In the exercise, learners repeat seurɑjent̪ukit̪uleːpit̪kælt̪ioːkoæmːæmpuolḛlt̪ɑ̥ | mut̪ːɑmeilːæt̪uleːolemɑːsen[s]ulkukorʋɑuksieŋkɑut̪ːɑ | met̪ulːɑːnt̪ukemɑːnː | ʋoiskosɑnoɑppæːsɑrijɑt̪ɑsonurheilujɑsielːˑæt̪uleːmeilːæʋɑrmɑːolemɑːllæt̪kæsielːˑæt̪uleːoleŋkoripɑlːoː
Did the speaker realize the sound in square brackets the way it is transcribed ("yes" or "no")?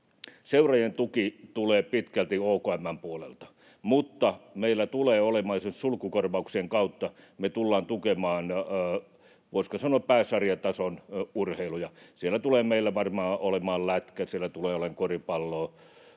yes